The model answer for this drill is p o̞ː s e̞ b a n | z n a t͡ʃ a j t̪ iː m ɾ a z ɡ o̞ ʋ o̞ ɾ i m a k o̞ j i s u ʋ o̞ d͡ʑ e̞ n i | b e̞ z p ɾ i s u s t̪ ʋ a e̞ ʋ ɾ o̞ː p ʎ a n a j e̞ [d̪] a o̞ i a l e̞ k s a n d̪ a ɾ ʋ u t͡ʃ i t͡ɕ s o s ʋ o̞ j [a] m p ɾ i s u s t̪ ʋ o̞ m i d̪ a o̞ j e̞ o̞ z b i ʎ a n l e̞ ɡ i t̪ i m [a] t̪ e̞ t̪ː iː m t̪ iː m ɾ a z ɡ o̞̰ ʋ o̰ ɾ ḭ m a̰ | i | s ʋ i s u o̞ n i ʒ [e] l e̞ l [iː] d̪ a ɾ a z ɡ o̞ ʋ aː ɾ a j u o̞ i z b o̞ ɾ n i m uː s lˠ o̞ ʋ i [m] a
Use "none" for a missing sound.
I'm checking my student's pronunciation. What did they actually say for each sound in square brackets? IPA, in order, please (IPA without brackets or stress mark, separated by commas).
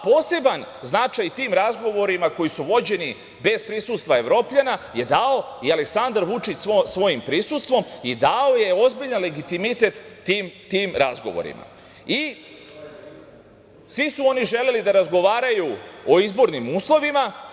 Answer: d̪, i, i, e, i, m